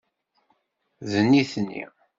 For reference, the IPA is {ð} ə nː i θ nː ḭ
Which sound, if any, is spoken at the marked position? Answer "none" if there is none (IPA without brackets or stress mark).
ð